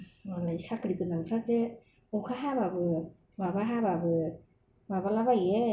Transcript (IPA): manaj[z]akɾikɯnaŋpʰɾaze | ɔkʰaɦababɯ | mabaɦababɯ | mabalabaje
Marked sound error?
yes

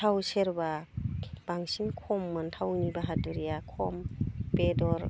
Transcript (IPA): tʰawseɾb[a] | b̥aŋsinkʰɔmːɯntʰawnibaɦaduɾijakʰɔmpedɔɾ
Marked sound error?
no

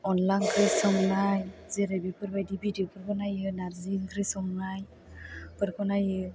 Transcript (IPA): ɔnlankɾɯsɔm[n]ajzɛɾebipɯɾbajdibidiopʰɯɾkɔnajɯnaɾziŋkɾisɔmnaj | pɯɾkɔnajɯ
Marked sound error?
no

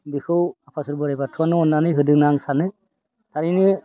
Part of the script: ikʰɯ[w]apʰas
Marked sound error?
no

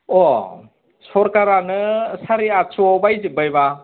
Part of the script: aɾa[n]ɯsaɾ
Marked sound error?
no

